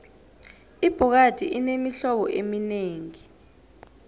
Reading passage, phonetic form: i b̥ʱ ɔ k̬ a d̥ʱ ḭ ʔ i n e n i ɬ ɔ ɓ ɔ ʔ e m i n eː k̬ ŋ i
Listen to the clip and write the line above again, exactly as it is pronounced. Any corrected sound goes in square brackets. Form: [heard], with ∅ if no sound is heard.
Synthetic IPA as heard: i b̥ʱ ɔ k̬ a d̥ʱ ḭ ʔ i n e [m] i ɬ ɔ ɓ ɔ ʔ e m i n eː [∅] ŋ i